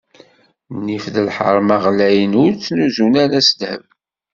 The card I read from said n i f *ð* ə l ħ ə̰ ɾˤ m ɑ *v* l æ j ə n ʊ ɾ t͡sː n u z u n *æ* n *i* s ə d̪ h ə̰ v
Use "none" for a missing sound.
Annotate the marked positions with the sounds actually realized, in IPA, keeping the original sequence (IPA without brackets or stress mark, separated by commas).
ð, ʁ, æ, æ